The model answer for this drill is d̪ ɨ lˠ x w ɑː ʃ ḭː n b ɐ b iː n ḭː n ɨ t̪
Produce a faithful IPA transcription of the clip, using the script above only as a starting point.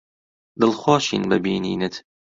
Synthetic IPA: d̪ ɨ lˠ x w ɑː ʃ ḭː n b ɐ b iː n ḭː n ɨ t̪

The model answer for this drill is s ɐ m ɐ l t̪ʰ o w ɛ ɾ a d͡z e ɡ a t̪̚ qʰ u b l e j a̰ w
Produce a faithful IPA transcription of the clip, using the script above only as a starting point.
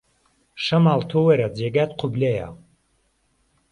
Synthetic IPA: ʃ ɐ m a l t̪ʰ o w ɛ ɾ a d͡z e ɡ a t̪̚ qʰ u b l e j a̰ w

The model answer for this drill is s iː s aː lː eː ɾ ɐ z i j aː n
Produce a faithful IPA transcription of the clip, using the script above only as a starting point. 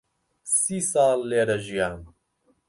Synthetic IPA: s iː s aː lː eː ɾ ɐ ʒ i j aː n

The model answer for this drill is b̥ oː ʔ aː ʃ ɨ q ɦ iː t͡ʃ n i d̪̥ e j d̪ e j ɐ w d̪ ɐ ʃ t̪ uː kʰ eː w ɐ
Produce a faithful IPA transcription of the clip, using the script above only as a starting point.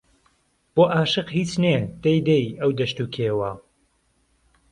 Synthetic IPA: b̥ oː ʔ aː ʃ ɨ q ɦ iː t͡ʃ n e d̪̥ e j d̪ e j ɐ w d̪ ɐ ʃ t̪ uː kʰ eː w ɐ

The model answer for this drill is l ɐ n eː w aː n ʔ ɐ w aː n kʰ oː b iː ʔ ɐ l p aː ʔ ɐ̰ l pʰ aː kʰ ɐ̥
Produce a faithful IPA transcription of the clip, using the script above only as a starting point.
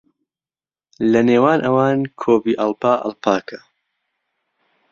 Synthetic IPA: l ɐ n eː w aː n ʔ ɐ w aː n kʰ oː b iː ʔ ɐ l p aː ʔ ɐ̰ l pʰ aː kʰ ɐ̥

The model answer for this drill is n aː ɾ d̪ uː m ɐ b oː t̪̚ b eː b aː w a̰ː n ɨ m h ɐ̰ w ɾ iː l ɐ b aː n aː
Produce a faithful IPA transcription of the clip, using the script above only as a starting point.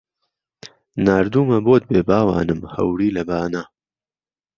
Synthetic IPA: n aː ɾ d̪ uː m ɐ b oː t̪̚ b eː b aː w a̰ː n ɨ m h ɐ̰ w ɾ iː l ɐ b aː n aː

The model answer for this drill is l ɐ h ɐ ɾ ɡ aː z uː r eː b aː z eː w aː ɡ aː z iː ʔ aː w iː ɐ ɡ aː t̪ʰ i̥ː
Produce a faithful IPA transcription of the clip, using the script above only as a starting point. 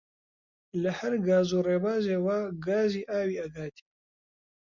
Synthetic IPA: l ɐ h ɐ ɾ ɡ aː z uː r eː b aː z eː w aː ɡ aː z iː ʔ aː w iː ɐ ɡ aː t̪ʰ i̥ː

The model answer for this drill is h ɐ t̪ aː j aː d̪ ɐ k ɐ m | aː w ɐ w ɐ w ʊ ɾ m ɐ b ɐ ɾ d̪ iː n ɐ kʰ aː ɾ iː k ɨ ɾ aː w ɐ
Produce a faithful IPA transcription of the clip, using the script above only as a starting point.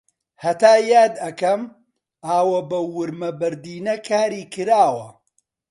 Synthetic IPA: h ɐ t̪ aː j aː d̪ ɐ k ɐ m | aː w ɐ b ɐ w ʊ ɾ m ɐ b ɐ ɾ d̪ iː n ɐ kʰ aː ɾ iː k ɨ ɾ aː w ɐ

